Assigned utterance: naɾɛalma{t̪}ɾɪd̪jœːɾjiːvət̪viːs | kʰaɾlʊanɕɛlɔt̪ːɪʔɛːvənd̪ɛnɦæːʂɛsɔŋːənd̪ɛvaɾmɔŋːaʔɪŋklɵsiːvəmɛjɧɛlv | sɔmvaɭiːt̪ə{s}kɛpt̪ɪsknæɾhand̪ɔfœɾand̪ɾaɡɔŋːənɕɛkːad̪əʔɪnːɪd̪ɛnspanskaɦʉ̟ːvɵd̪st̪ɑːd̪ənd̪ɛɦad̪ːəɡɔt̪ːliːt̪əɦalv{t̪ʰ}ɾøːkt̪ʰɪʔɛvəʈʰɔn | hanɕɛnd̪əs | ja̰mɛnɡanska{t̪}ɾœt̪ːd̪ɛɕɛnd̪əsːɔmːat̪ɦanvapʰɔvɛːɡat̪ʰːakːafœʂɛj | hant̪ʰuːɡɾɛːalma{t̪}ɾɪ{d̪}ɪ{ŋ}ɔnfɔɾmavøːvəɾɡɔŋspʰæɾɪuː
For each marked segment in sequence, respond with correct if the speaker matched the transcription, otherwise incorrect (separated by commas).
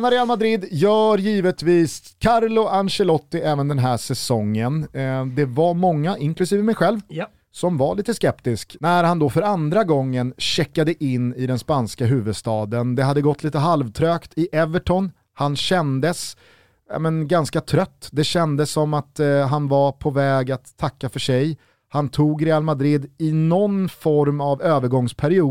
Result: incorrect, correct, correct, incorrect, incorrect, correct, incorrect